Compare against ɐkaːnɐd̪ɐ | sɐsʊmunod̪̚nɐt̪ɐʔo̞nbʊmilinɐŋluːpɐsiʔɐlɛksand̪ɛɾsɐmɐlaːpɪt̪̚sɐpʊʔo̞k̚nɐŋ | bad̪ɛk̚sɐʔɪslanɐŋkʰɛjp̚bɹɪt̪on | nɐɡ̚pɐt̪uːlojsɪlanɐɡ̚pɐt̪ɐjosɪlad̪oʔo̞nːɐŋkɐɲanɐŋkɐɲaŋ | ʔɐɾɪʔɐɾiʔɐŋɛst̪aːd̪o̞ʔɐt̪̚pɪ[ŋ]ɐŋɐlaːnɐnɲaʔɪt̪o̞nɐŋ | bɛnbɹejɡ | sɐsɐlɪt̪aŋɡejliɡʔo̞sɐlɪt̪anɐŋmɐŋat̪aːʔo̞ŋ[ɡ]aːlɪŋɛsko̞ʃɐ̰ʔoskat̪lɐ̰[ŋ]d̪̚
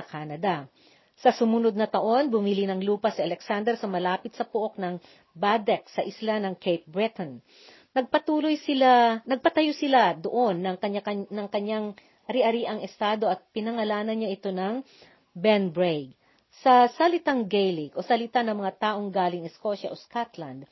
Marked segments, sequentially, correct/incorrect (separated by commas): incorrect, correct, incorrect